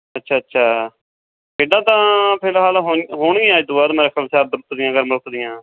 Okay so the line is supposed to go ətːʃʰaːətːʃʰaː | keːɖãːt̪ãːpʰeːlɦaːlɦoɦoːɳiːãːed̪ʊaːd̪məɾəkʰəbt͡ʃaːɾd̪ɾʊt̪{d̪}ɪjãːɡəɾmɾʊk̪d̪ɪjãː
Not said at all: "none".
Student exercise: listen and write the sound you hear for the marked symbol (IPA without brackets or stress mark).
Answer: d̪